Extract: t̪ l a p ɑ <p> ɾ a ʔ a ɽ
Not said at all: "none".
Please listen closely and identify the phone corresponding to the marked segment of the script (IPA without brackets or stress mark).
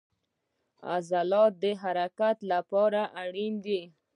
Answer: none